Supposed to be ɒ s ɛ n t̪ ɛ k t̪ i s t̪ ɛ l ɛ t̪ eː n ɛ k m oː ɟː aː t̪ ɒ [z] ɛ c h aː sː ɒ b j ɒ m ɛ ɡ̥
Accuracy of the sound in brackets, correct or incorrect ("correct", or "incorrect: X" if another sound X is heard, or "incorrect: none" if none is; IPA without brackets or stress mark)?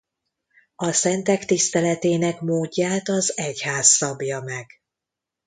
correct